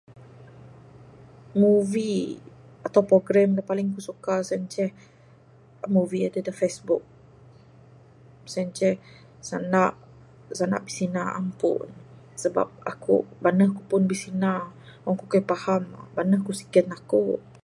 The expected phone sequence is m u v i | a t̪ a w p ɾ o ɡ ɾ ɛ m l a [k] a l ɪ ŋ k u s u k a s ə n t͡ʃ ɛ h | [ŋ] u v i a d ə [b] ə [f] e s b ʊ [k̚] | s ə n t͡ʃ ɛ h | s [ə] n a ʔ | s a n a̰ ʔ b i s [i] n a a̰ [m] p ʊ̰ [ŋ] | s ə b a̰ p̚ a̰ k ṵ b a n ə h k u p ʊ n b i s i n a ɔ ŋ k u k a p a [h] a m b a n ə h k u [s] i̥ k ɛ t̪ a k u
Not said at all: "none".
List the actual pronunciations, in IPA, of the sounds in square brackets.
p, m, d, f, k̚, a, i, m, n, h, s

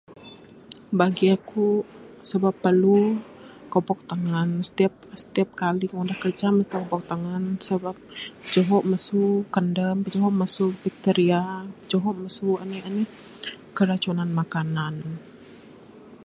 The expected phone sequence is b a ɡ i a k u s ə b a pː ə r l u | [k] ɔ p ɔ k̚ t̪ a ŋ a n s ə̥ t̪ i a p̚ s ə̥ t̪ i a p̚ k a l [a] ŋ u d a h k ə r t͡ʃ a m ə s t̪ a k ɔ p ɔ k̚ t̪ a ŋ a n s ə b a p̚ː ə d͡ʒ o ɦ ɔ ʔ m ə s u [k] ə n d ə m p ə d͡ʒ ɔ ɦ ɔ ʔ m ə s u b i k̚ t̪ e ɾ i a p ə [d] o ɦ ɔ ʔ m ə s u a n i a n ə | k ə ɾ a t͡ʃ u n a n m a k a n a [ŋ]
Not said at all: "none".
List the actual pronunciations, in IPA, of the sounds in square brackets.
k, i, k, d͡ʒ, n

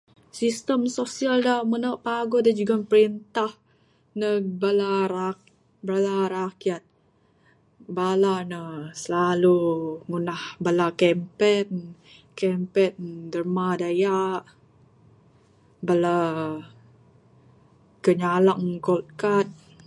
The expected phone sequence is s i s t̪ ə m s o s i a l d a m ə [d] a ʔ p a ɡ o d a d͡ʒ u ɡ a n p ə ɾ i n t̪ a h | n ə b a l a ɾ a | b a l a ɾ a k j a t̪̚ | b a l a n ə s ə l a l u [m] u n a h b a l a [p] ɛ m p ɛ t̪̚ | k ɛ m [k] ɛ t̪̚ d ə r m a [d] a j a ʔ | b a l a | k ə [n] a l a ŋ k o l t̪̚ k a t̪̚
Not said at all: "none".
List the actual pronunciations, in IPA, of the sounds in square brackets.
n, ŋ, k, p, d, ɲ

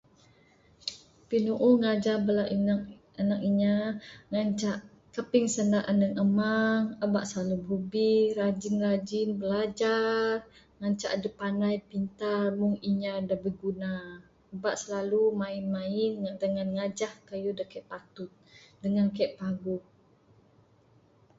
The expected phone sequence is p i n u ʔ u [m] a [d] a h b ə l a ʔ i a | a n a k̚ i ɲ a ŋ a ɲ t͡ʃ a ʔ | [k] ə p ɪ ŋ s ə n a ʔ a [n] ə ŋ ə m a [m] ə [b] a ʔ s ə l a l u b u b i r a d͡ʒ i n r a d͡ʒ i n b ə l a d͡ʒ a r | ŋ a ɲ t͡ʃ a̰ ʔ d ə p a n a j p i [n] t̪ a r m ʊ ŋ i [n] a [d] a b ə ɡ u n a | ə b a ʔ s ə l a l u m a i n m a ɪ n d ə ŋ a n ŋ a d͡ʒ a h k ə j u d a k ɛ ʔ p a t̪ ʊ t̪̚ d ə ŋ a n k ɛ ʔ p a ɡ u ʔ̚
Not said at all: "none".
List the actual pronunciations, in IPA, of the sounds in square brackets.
ŋ, d͡ʒ, k, n, ŋ, b, n, ɲ, d

